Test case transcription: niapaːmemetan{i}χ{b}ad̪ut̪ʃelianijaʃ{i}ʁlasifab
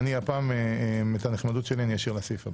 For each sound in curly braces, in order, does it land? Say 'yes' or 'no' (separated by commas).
no, no, yes